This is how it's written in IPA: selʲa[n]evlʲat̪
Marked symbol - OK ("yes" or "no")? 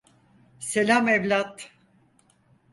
no